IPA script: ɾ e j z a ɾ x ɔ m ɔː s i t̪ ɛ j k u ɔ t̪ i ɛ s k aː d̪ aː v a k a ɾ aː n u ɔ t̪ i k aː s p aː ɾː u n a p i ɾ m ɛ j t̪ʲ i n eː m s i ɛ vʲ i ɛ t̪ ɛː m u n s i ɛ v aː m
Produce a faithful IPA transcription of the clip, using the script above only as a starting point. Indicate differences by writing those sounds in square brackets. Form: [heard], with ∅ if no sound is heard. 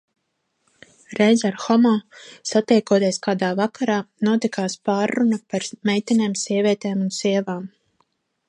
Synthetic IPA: ɾ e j z a ɾ x ɔ m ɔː s [a] t̪ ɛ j k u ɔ t̪ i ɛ s k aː d̪ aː v a k a ɾ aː n u ɔ t̪ i k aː s p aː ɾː u n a p [a] ɾ m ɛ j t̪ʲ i n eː m s i ɛ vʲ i ɛ t̪ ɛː m u n s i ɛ v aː m